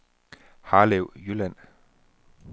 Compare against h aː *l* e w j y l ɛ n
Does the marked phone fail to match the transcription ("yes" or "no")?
no